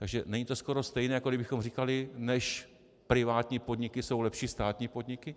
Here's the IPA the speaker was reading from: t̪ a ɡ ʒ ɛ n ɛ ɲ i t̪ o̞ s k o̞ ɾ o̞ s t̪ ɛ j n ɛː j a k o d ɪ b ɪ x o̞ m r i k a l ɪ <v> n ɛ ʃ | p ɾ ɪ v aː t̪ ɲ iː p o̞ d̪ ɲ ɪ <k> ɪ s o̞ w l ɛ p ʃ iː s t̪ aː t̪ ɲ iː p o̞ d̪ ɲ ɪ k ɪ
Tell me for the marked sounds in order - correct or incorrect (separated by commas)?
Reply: incorrect, correct